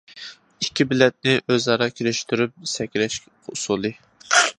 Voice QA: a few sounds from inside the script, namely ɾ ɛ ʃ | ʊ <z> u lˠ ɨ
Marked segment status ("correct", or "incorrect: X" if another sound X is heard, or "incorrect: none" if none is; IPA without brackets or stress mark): incorrect: s